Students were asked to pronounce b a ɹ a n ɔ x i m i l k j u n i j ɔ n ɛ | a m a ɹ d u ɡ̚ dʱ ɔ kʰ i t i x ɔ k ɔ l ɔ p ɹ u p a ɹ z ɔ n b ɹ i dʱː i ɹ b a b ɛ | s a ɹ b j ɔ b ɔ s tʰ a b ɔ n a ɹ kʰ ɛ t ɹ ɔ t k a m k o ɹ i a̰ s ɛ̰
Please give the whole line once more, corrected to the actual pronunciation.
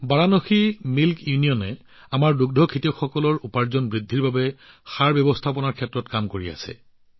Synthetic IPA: b a ɹ a n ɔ x i m i l k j u n i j ɔ n ɛ | a m a ɹ d u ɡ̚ dʱ ɔ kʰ i t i x ɔ k ɔ l ɔ ɹ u p a ɹ z ɔ n b ɹ i dʱː i ɹ b a b ɛ | x a ɹ b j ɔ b ɔ s tʰ a p ɔ n a ɹ kʰ ɛ t ɹ ɔ t k a m k o ɹ i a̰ s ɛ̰